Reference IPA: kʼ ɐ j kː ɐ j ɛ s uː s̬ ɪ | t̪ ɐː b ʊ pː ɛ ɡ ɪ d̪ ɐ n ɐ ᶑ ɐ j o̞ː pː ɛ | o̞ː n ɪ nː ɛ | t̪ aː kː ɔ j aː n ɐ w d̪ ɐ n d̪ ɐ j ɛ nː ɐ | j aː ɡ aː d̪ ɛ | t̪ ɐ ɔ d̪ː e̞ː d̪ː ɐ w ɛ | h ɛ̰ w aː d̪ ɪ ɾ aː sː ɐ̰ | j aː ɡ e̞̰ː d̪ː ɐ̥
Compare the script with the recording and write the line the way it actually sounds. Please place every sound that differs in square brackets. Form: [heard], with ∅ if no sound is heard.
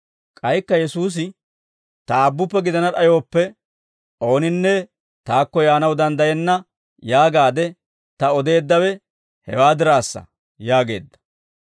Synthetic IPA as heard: kʼ ɐ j kː ɐ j ɛ s uː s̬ ɪ | t̪ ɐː [bː] ʊ pː ɛ ɡ ɪ d̪ ɐ n ɐ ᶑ ɐ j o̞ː pː ɛ | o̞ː n ɪ nː ɛ | t̪ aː kː ɔ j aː n ɐ w d̪ ɐ n d̪ ɐ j ɛ nː ɐ | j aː ɡ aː d̪ ɛ | t̪ ɐ ɔ [d̪] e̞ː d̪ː ɐ w ɛ | h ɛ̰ w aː d̪ ɪ ɾ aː sː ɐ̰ | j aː ɡ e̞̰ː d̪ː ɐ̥